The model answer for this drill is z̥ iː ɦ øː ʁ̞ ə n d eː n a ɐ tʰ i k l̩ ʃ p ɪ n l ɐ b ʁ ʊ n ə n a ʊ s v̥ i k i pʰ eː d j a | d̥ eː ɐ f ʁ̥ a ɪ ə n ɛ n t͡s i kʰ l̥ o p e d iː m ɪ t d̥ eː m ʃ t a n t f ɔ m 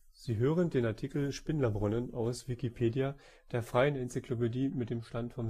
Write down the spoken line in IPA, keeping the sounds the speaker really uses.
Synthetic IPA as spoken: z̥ iː ɦ øː ʁ̞ ə n d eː n a ɐ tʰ i k l̩ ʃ p ɪ n l ɐ b ʁ ʊ n ə n a ʊ s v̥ i k i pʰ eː d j a | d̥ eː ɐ f ʁ̥ a ɪ ə n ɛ n t͡s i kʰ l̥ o p e d iː m ɪ t d̥ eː m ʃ t a n t f ɔ m